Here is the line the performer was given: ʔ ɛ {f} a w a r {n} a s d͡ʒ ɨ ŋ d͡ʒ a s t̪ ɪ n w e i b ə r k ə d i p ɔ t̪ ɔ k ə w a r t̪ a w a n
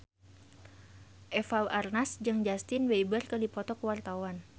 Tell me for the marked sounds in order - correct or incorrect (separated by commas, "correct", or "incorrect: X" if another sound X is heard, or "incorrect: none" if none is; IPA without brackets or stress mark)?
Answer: correct, correct